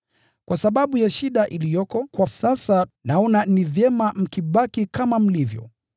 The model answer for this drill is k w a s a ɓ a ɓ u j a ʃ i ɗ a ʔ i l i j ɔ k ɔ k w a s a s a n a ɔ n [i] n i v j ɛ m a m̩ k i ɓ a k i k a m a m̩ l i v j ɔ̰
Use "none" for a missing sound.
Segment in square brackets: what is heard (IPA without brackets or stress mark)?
a